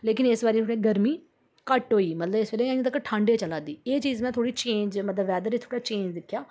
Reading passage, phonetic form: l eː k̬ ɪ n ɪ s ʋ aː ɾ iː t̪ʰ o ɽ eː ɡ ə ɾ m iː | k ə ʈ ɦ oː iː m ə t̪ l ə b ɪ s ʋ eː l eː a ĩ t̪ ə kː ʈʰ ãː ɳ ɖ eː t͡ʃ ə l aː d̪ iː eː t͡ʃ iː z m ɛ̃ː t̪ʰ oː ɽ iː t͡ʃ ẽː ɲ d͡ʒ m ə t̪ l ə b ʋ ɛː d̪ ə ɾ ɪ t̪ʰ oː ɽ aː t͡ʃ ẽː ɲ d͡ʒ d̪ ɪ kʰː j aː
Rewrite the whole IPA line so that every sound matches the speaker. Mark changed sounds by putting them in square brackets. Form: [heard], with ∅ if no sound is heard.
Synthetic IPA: l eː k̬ ɪ n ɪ s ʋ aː ɾ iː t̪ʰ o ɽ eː ɡ ə ɾ m iː | k ə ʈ ɦ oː iː m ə t̪ l ə b ɪ s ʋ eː l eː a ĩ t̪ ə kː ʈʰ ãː ɳ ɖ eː t͡ʃ ə l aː d̪ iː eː t͡ʃ iː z m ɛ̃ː t̪ʰ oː ɽ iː t͡ʃ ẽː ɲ d͡ʒ m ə t̪ l ə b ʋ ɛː d̪ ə ɾ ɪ t̪ʰ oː ɽ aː t͡ʃ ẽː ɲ d͡ʒ d̪ ɪ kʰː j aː